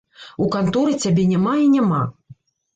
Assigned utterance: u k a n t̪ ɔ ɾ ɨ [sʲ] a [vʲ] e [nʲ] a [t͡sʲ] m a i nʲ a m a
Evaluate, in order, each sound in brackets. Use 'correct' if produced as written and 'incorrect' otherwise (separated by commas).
incorrect, incorrect, correct, incorrect